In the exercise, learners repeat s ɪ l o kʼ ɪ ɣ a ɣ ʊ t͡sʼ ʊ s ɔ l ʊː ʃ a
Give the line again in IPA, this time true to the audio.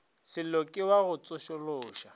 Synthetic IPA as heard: s ɪ l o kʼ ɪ w a ɣ ʊ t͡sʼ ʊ ʃ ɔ l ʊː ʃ a

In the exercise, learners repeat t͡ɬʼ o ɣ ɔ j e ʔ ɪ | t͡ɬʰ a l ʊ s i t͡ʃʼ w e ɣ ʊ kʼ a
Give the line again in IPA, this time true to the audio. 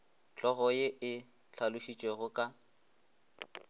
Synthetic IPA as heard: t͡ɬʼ ɔ ɣ ɔ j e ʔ ɪ | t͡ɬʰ a l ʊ ʃ i t͡ʃʼ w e ɣ ʊ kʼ a

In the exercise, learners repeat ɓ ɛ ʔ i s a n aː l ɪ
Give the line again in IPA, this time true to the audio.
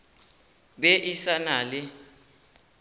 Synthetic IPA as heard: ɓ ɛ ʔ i s a n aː l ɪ

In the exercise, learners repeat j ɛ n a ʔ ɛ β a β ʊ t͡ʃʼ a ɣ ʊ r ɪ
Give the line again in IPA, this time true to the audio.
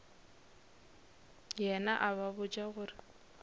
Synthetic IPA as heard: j ɛ n a ʔ a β a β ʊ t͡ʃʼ a ɣ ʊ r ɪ

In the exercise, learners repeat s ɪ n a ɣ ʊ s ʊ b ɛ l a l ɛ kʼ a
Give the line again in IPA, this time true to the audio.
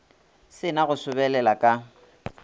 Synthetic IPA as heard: s ɪ n a ɣ ʊ s ʊ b ɛ l ɛ l a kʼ a

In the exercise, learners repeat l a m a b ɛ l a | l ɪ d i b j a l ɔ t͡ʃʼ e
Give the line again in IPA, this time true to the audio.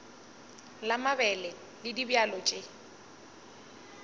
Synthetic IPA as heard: l a m a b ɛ l ɛ | l ɪ d i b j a l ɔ t͡ʃʼ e

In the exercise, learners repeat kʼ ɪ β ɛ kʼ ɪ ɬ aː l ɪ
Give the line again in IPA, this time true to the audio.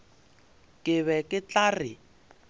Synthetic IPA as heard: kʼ ɪ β ɛ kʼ ɪ t͡ɬ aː r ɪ

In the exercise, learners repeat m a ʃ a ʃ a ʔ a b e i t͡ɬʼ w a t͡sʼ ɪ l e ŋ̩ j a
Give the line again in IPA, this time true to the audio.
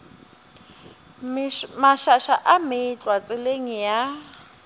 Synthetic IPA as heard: m a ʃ a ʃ a ʔ a m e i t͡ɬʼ w a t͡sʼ ɪ l e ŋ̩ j a

